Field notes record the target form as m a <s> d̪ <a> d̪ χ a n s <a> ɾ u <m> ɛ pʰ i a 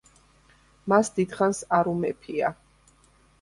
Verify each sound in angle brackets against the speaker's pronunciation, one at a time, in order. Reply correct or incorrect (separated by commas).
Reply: correct, incorrect, correct, correct